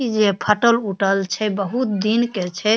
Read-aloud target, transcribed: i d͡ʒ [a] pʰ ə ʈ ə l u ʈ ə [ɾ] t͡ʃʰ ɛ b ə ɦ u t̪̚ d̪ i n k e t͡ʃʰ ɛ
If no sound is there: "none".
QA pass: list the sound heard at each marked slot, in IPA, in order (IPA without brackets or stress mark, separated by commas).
e, l